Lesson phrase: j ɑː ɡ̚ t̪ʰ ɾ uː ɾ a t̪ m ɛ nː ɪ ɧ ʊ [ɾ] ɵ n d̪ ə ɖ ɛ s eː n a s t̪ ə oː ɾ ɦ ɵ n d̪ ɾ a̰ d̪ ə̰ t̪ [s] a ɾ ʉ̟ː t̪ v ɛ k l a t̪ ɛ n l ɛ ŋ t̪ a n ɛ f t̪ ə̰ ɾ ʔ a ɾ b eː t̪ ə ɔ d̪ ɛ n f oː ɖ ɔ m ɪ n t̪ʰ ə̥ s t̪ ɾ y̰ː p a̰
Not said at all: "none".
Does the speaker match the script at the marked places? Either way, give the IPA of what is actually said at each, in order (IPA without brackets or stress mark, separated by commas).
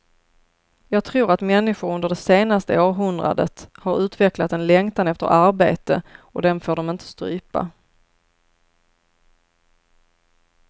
ɾ, h